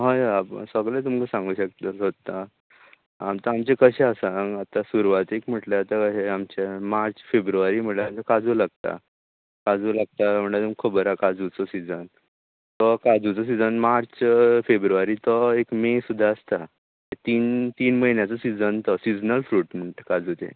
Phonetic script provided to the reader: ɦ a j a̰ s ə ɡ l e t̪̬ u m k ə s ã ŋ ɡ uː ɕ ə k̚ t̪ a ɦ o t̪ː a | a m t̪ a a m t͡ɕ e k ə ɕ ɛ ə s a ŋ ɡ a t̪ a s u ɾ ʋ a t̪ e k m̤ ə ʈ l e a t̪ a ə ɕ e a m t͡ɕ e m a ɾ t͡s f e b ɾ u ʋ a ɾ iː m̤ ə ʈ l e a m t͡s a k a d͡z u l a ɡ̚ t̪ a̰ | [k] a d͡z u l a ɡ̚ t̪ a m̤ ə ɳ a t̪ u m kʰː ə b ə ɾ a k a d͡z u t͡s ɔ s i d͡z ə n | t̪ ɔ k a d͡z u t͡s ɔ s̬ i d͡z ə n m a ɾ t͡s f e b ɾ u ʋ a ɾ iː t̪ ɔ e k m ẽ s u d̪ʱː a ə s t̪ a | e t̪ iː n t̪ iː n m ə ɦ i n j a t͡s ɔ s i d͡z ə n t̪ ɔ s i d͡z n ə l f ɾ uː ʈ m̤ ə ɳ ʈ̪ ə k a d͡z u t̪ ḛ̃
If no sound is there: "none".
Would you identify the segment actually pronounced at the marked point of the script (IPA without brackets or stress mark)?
k